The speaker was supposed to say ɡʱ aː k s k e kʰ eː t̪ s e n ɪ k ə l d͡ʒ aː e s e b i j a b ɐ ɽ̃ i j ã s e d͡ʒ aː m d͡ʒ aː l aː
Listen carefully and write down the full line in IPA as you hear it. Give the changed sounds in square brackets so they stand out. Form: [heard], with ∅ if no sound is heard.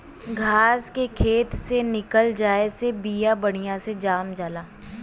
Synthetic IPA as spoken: ɡʱ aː [∅] s k e kʰ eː t̪ s e n ɪ k ə l d͡ʒ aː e s e b i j a b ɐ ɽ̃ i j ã s e d͡ʒ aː m d͡ʒ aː l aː